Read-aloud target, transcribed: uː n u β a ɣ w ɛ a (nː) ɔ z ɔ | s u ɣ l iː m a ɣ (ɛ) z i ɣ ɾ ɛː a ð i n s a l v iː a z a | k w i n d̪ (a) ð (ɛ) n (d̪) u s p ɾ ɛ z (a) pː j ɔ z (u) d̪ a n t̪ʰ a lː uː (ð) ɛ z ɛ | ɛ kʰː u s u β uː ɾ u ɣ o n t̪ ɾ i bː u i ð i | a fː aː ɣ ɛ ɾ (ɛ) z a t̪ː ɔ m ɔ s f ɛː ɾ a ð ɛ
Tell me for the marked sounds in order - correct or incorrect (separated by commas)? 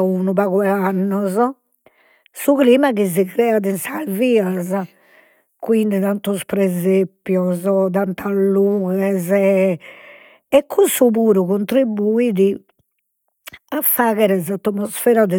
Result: correct, incorrect, incorrect, incorrect, incorrect, incorrect, incorrect, incorrect, correct